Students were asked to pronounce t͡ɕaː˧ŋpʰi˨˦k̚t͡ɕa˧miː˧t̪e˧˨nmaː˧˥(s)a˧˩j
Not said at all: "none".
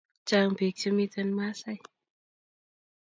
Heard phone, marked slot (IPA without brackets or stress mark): s